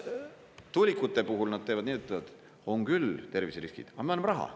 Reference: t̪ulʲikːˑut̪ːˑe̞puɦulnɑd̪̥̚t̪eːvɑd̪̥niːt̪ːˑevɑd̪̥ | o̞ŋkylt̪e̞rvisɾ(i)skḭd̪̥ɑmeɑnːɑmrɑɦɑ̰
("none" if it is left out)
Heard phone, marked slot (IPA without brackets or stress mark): i